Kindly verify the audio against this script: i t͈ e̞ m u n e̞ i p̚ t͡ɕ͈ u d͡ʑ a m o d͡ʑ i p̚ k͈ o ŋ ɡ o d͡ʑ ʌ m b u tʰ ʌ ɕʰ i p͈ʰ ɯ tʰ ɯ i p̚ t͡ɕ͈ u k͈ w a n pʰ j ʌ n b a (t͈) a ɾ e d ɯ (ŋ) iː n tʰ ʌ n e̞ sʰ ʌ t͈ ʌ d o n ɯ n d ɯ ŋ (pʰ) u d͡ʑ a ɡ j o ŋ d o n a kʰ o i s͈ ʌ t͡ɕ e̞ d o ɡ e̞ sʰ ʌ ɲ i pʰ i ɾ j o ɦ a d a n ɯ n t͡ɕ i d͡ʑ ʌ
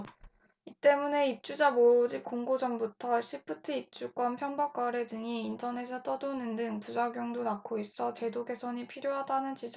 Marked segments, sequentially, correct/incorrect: incorrect, correct, incorrect

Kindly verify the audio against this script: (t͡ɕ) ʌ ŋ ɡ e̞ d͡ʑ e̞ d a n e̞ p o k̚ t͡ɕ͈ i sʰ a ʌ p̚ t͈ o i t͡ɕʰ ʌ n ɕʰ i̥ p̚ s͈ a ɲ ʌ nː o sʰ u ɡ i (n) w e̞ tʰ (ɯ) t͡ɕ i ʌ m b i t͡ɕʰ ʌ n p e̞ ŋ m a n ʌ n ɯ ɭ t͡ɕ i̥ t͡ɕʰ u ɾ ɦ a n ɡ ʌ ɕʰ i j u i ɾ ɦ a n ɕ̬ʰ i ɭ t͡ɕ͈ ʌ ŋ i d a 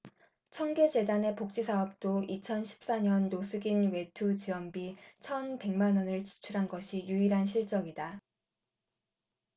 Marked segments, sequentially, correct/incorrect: incorrect, correct, incorrect

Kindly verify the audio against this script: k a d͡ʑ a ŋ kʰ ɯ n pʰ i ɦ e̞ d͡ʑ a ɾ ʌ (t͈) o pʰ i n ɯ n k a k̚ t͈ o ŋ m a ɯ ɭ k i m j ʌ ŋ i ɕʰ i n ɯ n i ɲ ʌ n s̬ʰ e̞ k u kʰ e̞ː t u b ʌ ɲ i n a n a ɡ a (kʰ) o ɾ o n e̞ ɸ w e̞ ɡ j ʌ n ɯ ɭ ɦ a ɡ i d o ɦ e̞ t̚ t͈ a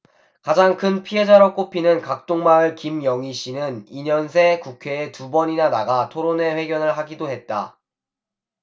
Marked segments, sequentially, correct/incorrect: incorrect, incorrect

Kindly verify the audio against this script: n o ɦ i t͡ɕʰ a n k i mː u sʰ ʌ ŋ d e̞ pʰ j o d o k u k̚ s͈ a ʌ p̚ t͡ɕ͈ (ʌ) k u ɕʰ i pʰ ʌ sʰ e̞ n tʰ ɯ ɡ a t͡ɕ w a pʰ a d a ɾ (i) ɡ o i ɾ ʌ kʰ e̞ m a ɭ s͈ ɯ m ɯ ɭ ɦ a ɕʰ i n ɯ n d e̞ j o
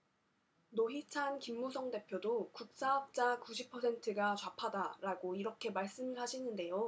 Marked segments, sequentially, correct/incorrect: incorrect, incorrect

